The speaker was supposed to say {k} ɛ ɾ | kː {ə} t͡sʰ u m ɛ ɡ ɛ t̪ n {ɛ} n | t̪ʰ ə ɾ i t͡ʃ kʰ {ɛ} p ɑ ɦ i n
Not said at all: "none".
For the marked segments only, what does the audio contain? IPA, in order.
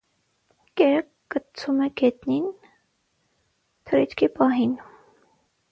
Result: k, ə, i, i

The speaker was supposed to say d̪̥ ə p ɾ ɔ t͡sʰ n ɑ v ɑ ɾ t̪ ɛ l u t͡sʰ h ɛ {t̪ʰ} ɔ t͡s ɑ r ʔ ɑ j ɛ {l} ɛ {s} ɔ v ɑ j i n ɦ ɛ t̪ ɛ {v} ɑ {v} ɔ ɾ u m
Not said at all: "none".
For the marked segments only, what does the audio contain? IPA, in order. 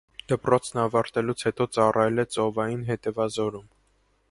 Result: t̪, l, t͡s, v, z

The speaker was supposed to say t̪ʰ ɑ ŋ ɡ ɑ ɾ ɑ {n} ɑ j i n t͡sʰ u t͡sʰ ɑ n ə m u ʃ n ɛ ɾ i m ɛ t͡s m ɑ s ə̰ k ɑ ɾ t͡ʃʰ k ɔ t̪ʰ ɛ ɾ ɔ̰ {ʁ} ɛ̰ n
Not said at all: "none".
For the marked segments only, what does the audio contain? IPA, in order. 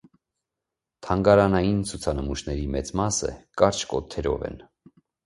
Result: n, v

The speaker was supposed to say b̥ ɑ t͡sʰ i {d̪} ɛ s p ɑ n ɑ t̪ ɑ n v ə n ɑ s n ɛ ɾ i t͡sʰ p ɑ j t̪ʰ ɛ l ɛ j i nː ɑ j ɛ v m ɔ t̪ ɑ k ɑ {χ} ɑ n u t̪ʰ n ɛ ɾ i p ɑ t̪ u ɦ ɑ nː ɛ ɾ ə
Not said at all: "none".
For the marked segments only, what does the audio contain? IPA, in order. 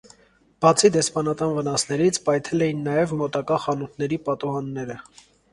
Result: d̪, χ

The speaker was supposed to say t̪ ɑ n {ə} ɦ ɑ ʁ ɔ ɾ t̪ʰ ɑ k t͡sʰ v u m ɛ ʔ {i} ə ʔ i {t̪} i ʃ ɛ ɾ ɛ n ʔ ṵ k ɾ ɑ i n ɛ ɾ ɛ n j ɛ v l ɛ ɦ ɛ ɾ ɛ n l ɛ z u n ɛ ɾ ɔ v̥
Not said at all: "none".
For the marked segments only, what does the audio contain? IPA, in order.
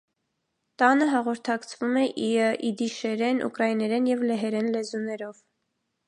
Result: ə, i, d̪

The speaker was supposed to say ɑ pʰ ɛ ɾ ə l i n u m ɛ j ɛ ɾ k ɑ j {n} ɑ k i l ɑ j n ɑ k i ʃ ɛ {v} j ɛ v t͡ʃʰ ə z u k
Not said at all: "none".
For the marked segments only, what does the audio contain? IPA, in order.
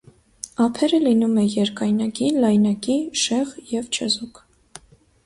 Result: n, ʁ

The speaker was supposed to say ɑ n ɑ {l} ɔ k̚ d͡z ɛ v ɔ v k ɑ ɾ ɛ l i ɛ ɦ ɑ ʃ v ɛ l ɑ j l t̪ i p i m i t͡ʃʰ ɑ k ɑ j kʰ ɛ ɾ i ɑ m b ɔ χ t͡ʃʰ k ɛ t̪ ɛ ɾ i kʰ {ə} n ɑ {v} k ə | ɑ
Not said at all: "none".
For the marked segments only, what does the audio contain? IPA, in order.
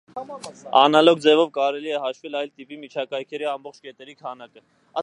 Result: l, ɑ, none

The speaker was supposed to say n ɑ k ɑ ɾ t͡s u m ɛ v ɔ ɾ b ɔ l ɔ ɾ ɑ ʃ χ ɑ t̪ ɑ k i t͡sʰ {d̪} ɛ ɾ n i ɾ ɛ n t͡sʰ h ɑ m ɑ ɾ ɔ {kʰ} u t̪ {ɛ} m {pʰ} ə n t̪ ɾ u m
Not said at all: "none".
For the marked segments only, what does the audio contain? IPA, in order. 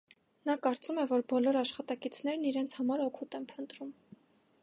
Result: n̪, kʰ, ɛ, pʰ

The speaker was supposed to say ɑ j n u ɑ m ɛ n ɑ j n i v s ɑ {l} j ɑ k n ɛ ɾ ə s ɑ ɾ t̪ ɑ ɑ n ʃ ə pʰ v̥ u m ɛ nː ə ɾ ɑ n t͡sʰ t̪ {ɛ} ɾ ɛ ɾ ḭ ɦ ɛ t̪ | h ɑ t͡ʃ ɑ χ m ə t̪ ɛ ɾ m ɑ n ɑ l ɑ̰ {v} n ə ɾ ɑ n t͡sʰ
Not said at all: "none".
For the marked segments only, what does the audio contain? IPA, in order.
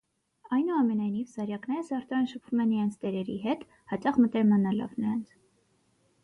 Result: ɾ, ɛ, v

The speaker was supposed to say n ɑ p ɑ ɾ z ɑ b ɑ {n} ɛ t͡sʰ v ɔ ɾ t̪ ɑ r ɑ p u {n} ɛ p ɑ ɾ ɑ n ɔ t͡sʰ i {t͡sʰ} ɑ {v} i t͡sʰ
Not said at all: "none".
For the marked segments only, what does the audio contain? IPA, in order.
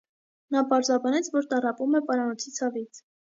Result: n, m, t͡sʰ, v

